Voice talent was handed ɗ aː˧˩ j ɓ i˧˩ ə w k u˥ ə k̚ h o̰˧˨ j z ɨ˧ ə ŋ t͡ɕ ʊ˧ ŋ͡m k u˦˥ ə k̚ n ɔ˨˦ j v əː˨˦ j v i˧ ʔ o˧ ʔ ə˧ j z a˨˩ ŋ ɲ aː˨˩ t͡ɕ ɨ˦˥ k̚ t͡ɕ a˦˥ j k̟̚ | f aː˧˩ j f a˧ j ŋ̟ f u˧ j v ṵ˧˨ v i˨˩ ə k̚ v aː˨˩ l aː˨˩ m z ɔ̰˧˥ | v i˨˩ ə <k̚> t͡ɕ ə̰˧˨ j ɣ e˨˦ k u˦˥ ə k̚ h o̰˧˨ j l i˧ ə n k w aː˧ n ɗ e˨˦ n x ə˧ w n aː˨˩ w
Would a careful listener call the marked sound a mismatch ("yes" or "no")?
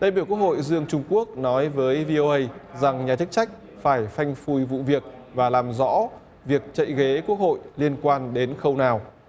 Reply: no